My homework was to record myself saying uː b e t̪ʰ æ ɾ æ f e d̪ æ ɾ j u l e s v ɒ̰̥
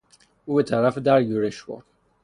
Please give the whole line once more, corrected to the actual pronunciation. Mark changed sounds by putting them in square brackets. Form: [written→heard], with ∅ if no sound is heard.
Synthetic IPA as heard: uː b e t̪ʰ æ ɾ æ f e d̪ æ ɾ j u [l→ɾ] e [s→ʃ] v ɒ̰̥